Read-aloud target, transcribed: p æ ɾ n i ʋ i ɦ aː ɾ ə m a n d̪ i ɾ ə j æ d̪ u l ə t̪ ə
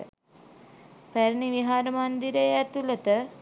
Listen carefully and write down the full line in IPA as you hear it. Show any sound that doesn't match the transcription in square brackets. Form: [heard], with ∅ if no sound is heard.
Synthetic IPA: p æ ɾ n i ʋ i ɦ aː ɾ ə m a n d̪ i ɾ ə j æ [t̪] u l ə t̪ ə